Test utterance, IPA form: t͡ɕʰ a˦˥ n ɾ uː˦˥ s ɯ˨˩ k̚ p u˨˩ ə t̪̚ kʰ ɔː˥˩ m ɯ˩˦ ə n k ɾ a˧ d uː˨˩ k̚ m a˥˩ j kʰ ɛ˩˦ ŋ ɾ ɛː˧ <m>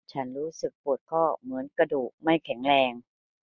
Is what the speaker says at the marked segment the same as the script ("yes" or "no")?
no